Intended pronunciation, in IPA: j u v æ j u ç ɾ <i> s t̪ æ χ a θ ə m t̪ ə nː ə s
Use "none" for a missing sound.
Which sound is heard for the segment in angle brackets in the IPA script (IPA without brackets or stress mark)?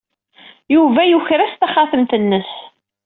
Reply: æ